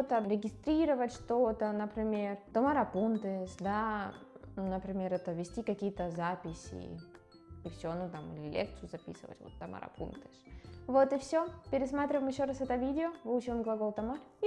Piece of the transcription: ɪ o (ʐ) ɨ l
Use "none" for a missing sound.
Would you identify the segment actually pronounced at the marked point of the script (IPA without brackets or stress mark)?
v